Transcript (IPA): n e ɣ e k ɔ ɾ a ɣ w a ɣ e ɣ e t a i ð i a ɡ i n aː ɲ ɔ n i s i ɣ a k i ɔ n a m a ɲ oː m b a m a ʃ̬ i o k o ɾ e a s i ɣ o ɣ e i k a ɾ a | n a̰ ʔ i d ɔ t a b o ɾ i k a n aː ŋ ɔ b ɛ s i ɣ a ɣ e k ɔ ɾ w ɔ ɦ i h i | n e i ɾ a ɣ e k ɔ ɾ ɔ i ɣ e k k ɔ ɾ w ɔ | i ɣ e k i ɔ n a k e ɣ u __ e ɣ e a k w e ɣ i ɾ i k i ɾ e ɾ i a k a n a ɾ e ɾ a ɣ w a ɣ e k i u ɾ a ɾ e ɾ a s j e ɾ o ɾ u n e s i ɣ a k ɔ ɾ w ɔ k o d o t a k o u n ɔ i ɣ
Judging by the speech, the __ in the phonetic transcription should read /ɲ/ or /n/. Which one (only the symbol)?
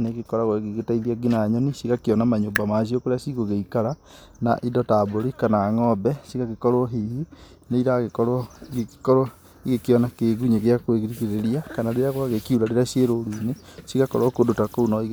ɲ